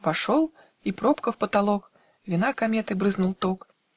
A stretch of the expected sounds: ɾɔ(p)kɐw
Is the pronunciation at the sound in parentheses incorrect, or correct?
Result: correct